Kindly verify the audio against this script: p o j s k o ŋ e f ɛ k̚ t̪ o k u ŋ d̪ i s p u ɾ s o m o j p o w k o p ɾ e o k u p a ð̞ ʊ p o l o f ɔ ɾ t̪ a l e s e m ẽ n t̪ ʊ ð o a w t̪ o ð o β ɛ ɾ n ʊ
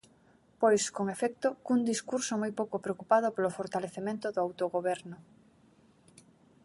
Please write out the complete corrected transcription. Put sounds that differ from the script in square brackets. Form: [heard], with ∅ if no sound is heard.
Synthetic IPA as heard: p o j s k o ŋ e f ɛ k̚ t̪ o k u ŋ d̪ i s [k] u ɾ s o m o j p o w k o p ɾ e o k u p a ð̞ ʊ p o l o f [o] ɾ t̪ a l e [θ] e m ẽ n t̪ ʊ ð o a w t̪ o [ɣ] o β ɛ ɾ n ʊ